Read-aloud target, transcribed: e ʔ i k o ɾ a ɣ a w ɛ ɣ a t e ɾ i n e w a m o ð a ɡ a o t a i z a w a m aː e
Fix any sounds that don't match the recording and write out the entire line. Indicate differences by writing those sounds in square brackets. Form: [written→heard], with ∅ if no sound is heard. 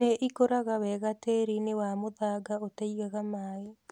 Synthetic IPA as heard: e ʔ i k o ɾ a ɣ a w ɛ ɣ a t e ɾ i n e w a m o ð a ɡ a o t a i [z→ɣ] a [w→ɣ] a m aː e